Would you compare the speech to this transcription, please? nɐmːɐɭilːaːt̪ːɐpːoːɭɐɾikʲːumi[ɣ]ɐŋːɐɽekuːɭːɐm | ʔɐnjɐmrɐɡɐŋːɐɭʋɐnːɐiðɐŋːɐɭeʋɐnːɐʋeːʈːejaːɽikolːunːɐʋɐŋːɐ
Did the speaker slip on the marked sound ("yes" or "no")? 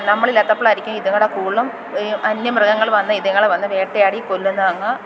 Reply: yes